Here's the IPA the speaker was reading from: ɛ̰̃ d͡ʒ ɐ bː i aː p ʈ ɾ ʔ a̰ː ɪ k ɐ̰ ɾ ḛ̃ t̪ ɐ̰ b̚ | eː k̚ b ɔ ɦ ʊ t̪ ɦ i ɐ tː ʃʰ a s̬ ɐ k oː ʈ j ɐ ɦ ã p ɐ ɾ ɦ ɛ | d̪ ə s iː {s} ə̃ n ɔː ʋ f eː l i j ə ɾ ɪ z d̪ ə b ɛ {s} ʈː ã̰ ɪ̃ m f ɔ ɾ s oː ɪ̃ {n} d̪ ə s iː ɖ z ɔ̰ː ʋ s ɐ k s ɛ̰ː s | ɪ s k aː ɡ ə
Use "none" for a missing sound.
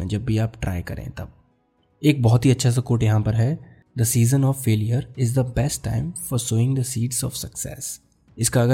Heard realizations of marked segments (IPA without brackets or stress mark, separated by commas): z, s, ŋ